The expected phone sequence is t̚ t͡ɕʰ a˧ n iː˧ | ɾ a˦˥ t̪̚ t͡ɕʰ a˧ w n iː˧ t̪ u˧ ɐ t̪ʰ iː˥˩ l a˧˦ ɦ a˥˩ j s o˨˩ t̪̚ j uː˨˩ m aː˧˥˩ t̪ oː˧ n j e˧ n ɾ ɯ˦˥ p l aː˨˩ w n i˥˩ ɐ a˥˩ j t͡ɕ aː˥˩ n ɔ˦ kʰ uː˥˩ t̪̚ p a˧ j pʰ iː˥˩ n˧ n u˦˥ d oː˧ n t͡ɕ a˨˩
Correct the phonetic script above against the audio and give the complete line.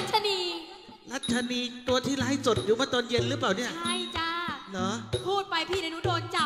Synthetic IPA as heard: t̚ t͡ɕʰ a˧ n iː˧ | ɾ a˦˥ t̪̚ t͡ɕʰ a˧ n iː˧ t̪ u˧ ɐ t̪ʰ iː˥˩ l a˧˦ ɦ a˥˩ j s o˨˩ t̪̚ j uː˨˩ m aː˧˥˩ t̪ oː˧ n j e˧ n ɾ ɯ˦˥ p l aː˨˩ w n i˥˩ ɐ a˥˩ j t͡ɕ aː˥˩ n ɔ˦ pʰ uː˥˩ t̪̚ p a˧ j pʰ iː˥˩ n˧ n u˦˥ d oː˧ n t͡ɕ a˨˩